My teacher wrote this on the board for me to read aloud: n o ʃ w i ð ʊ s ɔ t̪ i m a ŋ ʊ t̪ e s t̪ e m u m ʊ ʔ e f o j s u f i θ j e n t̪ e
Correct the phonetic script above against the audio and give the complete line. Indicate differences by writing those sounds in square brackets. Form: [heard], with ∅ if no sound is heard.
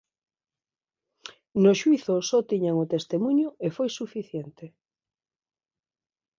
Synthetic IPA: n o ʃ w i [θ] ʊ s ɔ t̪ i [ɲ] a ŋ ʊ t̪ e s t̪ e m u [ɲ] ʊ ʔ e f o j s u f i θ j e n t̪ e

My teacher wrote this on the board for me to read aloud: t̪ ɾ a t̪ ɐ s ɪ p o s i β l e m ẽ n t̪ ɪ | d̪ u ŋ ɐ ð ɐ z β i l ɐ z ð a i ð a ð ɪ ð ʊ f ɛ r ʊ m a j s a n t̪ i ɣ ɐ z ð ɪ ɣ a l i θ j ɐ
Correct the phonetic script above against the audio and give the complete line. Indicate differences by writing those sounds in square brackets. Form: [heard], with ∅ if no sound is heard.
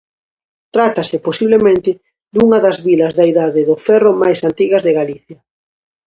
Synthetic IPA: t̪ ɾ a t̪ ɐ s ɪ p o s i β l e m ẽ n t̪ ɪ | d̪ u ŋ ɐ ð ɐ z β i l ɐ z ð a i ð a ð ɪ ð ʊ f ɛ r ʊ m a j s a n t̪ i ɣ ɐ z ð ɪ ɣ a l i θ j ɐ

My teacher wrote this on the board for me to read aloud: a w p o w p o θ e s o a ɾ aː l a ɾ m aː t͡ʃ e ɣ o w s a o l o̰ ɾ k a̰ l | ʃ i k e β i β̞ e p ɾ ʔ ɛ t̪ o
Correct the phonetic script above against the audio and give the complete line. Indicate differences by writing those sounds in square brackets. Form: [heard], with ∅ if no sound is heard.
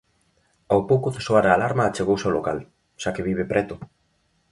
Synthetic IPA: a w p o w [k] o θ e s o a ɾ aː l a ɾ m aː t͡ʃ e ɣ o w s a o l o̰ [∅] k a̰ l | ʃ [a] k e β i β̞ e p ɾ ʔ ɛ t̪ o

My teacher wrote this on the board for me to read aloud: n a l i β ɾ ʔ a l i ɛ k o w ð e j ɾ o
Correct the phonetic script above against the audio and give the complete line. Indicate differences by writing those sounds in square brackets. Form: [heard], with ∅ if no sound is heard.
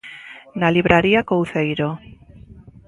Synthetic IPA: n a l i β ɾ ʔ a [ɾ] i [a] k o w [θ] e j ɾ o

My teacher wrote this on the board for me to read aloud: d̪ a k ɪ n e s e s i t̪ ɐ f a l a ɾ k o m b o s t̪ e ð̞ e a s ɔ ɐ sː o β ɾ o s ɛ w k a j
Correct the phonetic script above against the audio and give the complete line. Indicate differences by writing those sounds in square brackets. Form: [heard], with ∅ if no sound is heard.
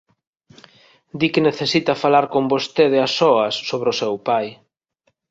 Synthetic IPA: d̪ [i] k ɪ n e [θ] e s i t̪ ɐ f a l a ɾ k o m b o s t̪ e ð̞ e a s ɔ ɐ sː o β ɾ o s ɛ w [p] a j

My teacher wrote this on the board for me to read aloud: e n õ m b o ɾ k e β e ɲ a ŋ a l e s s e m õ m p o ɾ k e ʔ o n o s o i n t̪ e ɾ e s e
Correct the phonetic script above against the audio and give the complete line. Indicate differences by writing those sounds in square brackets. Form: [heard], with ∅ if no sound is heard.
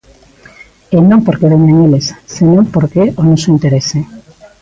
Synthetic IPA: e n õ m [p] o ɾ k e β e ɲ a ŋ [e] l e s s e [n] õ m p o ɾ k e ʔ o n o s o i n t̪ e ɾ e s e

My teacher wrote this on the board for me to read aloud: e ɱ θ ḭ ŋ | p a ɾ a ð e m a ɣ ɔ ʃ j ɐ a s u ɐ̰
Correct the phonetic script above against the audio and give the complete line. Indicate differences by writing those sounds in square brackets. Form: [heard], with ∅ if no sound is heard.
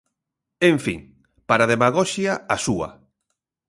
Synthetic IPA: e ɱ [f] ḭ ŋ | p a ɾ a ð e m a ɣ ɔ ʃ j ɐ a s u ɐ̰

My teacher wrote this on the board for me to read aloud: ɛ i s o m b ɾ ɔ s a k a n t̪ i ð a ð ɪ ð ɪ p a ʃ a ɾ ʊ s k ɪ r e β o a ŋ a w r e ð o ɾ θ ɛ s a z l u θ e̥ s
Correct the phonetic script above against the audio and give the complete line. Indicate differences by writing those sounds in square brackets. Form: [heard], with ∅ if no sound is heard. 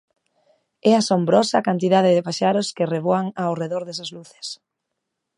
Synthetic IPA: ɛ [a] s o m b ɾ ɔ s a k a n t̪ i ð a ð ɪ ð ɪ p a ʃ a ɾ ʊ s k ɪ r e β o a ŋ a w r e ð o ɾ [ð] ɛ s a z l u θ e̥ s

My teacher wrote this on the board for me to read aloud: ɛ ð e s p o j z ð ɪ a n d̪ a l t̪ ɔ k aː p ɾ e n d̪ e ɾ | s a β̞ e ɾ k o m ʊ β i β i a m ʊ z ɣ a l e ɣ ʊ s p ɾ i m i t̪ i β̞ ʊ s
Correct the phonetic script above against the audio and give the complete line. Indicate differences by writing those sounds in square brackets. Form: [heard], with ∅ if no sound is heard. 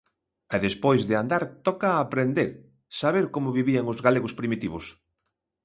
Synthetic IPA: ɛ ð e s p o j z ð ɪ a n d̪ a [ɾ] t̪ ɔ k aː p ɾ e n d̪ e ɾ | s a β̞ e ɾ k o m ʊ β i β i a [ŋ] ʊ z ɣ a l e ɣ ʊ s p ɾ i m i t̪ i β̞ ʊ s

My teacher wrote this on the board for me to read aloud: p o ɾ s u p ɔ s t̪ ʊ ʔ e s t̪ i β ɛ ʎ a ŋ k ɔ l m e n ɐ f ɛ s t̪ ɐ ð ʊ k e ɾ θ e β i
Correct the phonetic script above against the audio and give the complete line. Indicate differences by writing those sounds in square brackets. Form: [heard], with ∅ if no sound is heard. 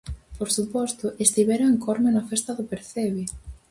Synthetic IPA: p o ɾ s u p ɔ s t̪ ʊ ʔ e s t̪ i β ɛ [ɾ] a ŋ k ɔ [ɾ] m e n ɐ f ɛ s t̪ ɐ ð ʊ [p] e ɾ θ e β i

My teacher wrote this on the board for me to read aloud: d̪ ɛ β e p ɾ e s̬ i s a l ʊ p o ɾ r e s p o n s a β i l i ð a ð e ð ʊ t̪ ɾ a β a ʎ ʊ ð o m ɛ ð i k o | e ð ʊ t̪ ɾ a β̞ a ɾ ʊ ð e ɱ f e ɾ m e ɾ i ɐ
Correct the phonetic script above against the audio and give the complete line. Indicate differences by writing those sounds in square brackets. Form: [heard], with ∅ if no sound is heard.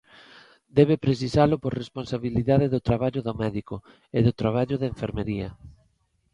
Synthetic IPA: d̪ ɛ β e p ɾ e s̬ i s a l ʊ p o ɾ r e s p o n s a β i l i ð a ð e ð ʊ t̪ ɾ a β a ʎ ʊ ð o m ɛ ð i k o | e ð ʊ t̪ ɾ a β̞ a [ʎ] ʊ ð e ɱ f e ɾ m e ɾ i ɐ

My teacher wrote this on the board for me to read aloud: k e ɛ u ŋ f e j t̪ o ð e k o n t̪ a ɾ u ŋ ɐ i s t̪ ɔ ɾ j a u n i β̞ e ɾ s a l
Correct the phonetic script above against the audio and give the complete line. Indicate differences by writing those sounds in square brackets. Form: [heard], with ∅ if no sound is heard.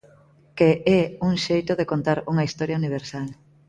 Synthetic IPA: k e ɛ u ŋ [ʃ] e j t̪ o ð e k o n t̪ a ɾ u ŋ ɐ i s t̪ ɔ ɾ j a u n i β̞ e ɾ s a l

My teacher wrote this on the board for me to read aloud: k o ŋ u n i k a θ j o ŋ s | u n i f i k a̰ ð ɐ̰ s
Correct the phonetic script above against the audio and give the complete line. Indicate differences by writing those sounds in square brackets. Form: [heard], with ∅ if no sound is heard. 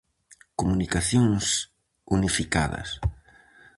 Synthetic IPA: k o [m] u n i k a θ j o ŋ s | u n i f i k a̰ ð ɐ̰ s

